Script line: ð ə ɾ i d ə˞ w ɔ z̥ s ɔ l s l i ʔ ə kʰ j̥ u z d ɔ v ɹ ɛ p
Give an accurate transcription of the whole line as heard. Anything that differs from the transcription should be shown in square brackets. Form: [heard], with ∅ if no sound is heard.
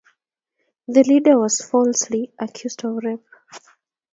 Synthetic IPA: ð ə [l] i d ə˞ w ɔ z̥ [f] ɔ l s l i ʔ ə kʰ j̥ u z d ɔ v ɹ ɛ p